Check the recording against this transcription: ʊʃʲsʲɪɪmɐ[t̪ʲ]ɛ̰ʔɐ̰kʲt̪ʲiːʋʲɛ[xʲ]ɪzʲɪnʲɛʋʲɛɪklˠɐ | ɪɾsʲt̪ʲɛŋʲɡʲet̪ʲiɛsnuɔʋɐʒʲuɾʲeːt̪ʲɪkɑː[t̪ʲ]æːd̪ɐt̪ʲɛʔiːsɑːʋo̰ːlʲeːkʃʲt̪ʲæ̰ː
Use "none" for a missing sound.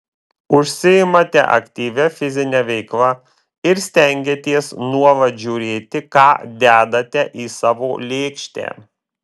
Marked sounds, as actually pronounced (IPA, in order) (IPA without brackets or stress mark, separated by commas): t̪ʲ, fʲ, d̪ʲ